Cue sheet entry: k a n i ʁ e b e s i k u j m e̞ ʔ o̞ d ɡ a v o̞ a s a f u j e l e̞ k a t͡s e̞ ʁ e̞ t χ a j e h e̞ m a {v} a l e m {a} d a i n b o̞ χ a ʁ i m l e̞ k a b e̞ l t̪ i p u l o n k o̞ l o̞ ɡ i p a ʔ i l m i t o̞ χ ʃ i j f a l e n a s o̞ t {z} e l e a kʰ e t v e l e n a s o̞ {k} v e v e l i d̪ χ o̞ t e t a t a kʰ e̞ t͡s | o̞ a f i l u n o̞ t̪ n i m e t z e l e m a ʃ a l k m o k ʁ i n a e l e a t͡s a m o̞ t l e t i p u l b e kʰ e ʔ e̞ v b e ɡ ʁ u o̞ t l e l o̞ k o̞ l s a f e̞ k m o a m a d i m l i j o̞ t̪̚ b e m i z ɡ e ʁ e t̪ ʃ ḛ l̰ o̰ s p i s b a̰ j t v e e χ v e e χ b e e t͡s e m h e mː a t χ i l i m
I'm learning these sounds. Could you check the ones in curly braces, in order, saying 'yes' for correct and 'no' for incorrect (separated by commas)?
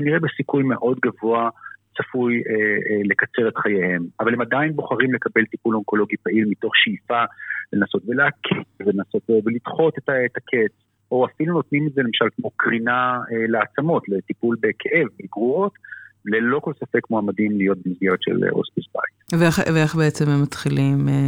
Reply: yes, yes, no, no